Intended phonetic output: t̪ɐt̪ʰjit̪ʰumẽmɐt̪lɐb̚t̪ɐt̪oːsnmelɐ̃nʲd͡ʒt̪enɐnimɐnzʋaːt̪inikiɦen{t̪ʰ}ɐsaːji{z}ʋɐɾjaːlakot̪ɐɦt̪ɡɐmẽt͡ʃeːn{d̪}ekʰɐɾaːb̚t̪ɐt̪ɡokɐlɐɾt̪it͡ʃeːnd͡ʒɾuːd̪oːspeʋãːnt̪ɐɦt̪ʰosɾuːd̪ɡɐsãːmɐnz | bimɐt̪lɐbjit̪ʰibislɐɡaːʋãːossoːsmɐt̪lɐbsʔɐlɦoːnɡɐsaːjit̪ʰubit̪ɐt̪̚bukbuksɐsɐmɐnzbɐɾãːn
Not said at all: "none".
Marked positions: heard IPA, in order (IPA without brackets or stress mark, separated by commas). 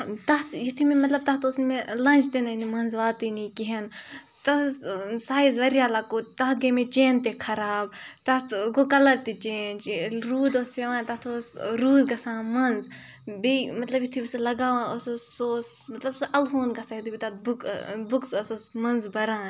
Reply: t̪, z, t̪